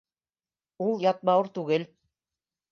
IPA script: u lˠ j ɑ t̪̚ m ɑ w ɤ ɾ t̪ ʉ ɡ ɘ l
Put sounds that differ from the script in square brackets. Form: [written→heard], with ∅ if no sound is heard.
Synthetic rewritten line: u lˠ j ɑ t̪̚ m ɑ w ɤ ɾ t̪ ʉ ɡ ɘ l

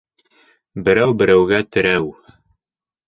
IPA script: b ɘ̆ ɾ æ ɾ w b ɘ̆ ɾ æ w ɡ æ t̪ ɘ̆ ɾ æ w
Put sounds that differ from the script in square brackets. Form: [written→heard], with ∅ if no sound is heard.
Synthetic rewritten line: b ɘ̆ ɾ æ [ɾ→∅] w b ɘ̆ ɾ æ w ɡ æ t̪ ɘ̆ ɾ æ w

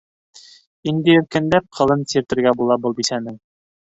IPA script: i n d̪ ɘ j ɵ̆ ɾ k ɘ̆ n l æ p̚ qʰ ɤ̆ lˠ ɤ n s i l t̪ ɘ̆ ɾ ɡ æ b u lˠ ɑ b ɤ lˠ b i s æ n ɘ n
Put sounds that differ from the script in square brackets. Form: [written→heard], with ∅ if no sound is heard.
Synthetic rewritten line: i n d̪ ɘ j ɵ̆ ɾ k ɘ̆ n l æ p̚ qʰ ɤ̆ lˠ ɤ n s i [l→ɾ] t̪ ɘ̆ ɾ ɡ æ b u lˠ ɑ b ɤ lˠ b i s æ n ɘ [n→ŋ]

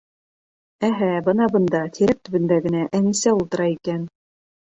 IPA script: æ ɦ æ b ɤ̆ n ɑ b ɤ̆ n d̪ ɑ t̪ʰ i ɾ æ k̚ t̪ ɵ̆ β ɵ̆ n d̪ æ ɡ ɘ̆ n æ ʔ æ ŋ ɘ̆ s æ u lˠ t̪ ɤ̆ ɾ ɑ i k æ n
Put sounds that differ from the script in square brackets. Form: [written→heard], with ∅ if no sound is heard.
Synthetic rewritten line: æ ɦ æ b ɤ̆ n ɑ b ɤ̆ n d̪ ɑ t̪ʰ i ɾ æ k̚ t̪ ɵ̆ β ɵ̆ n d̪ æ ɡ ɘ̆ n æ ʔ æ ŋ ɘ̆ s æ u lˠ t̪ ɤ̆ ɾ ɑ i k æ n

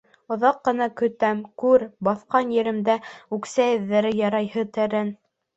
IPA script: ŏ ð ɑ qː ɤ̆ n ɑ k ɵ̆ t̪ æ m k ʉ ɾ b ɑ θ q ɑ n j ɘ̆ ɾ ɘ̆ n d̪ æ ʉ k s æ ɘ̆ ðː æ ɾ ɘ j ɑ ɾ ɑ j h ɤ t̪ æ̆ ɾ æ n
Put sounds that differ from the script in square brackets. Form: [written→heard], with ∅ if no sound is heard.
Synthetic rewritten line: ŏ ð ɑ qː ɤ̆ n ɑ k ɵ̆ t̪ æ m k ʉ ɾ b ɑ θ q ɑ n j ɘ̆ ɾ ɘ̆ [n→m] d̪ æ ʉ k s æ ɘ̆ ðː æ ɾ ɘ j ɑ ɾ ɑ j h ɤ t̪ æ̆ ɾ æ n

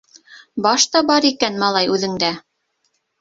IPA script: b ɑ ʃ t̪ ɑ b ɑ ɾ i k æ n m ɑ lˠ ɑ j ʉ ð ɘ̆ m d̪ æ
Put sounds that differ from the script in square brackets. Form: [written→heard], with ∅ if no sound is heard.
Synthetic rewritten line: b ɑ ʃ t̪ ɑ b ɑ ɾ i k æ n m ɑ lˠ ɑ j ʉ ð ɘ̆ [m→ŋ] d̪ æ

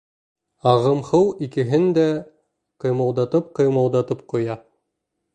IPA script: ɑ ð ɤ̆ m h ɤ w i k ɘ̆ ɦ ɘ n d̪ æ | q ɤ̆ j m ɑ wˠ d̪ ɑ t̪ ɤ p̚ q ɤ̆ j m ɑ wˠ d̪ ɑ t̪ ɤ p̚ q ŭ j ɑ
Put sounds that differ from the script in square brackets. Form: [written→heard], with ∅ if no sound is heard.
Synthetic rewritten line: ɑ [ð→ʁ] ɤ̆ m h ɤ w i k ɘ̆ ɦ ɘ n d̪ æ | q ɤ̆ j m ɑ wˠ d̪ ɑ t̪ ɤ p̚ q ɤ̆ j m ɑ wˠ d̪ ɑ t̪ ɤ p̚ q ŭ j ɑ

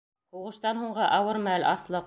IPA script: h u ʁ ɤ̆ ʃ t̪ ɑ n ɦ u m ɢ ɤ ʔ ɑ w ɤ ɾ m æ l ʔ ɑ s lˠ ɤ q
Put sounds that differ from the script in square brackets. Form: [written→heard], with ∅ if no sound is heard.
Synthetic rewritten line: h u ʁ ɤ̆ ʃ t̪ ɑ n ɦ u [m→ɴ] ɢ ɤ ʔ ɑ w ɤ ɾ m æ l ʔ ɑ s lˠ ɤ q

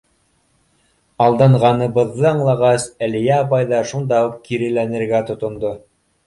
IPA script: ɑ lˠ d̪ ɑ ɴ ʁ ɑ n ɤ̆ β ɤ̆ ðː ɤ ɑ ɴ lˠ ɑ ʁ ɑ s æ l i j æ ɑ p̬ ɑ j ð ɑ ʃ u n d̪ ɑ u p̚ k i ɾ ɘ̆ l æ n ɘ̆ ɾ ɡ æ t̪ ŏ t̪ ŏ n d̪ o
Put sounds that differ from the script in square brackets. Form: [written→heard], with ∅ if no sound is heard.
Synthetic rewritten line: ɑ lˠ d̪ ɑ ɴ ʁ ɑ n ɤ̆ β ɤ̆ ðː ɤ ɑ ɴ lˠ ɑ ʁ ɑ s æ l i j æ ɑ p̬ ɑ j ð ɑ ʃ u n d̪ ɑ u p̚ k i ɾ ɘ̆ l æ n ɘ̆ ɾ ɡ æ t̪ ŏ t̪ ŏ n d̪ o

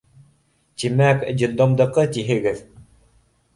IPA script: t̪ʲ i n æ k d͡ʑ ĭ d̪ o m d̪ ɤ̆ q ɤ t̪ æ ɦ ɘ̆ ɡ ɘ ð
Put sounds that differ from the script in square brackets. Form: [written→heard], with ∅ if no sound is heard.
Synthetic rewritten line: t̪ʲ i [n→m] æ k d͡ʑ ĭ d̪ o m d̪ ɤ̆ q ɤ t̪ [æ→i] ɦ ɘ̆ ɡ ɘ ð

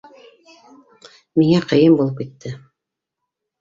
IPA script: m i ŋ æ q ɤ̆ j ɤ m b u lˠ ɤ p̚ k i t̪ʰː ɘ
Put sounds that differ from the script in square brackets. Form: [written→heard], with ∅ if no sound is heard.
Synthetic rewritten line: m i ŋ æ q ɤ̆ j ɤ m b u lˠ ɤ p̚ k i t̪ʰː ɘ

